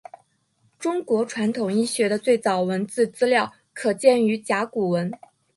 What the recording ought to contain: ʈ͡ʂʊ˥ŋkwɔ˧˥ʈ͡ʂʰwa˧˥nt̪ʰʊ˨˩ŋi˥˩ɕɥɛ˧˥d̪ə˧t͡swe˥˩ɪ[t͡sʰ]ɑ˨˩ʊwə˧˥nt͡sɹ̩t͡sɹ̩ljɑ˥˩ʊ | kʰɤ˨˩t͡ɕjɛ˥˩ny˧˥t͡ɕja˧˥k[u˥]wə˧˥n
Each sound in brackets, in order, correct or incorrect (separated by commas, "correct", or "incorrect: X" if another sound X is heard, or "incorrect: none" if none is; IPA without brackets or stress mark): incorrect: t͡s, incorrect: u˨˩